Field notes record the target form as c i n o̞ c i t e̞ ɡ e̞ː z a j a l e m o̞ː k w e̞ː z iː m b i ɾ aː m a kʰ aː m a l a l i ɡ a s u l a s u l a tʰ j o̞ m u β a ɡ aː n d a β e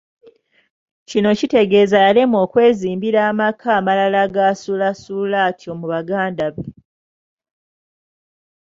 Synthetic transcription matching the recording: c i n o̞ c i t e̞ ɡ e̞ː z a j a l e m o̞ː k w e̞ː z iː m b i ɾ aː m a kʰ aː m a l a l a ɡ a s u l a s u l a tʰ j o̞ m u β a ɡ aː n d a β e